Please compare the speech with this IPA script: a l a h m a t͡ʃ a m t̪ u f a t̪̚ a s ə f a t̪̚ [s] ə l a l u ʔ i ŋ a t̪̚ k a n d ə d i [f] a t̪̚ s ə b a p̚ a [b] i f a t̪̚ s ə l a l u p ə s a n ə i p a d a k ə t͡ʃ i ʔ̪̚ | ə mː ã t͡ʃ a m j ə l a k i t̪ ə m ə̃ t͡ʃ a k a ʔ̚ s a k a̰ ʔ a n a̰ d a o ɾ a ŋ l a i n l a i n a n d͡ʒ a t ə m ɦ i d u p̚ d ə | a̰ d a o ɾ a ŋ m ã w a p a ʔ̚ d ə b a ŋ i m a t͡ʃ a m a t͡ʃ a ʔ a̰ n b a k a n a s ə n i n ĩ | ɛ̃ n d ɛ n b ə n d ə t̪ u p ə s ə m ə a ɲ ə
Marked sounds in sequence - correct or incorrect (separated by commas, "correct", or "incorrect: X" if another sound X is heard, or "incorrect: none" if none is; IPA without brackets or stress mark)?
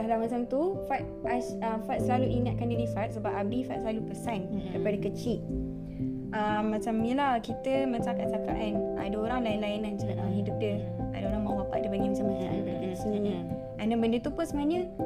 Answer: correct, correct, correct